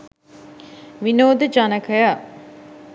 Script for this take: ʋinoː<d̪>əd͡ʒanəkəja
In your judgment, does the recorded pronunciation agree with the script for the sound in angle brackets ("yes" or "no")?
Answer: yes